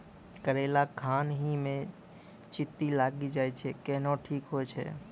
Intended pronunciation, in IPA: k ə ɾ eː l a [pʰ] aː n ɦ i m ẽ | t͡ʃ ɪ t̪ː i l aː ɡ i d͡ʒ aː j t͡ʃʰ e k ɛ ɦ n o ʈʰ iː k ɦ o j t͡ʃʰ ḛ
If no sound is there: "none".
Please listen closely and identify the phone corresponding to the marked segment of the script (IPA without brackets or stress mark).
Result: kʰ